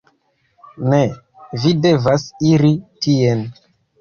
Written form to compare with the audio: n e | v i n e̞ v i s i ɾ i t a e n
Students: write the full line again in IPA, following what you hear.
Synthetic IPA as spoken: n e | v i d e̞ v a s i ɾ i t i e n